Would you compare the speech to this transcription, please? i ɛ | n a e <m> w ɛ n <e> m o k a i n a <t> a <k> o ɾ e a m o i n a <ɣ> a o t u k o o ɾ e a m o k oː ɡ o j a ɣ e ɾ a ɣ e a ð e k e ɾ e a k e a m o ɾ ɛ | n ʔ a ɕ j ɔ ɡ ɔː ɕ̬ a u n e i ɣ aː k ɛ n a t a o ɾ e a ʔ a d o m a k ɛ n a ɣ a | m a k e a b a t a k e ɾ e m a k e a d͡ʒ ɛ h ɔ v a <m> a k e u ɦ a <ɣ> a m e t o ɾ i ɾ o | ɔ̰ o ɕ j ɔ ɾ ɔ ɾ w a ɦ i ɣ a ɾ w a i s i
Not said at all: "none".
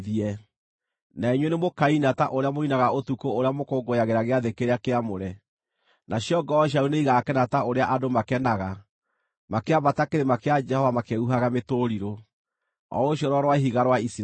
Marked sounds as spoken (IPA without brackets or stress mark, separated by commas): ɲ, e, t, ʔ, ɣ, m, ɣ